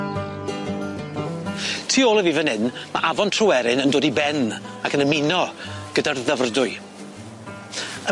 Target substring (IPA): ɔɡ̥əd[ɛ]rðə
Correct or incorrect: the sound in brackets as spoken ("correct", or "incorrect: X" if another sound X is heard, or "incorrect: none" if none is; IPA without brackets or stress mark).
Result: incorrect: a